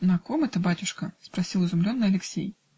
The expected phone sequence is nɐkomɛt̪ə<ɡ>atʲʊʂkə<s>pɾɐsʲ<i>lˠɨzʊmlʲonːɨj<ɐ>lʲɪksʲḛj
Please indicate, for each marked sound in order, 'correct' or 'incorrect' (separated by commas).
incorrect, correct, correct, correct